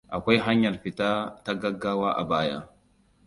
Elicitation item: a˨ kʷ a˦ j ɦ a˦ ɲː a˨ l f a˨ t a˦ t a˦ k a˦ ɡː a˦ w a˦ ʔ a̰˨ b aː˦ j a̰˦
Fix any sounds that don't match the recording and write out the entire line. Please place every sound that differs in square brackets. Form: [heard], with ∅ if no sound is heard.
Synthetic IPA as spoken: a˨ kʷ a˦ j ɦ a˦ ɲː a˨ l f [i˨] t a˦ t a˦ [ɡ] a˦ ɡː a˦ w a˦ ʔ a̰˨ b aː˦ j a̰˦